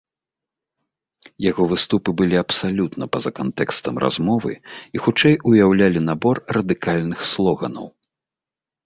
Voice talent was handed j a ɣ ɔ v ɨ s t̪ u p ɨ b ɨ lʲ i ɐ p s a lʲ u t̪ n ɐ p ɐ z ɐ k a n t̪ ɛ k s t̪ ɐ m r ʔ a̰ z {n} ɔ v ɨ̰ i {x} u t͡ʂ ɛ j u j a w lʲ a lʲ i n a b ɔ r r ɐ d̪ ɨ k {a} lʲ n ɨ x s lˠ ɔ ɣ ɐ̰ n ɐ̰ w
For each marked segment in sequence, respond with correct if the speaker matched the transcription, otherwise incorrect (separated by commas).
incorrect, correct, correct